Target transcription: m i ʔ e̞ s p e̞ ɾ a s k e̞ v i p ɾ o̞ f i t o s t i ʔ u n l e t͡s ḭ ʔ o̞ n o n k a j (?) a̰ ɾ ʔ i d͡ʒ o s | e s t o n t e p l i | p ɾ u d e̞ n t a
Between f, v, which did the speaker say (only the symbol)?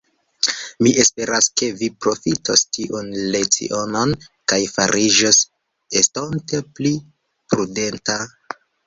f